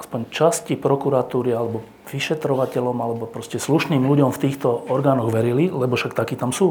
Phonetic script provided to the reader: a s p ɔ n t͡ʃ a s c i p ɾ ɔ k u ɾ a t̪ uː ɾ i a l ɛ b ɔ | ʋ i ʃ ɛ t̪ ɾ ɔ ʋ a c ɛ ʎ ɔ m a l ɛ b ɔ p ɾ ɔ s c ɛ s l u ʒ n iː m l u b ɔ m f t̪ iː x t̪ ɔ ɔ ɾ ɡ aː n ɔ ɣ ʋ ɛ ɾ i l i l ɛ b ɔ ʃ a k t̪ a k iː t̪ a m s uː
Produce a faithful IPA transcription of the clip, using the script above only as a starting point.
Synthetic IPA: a s p ɔ ɲ t͡ʃ a s c i p ɾ ɔ k u ɾ a t̪ uː ɾ i a l ɛ b ɔ | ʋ i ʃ ɛ t̪ ɾ ɔ ʋ a c ɛ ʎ ɔ m a l ɛ b ɔ p ɾ ɔ s c ɛ s l u ʃ n iː m l u ɟ ɔ m f t̪ iː x t̪ ɔ ɔ ɾ ɡ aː n ɔ ɣ ʋ ɛ ɾ i l i l ɛ b ɔ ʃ a k t̪ a k iː t̪ a m s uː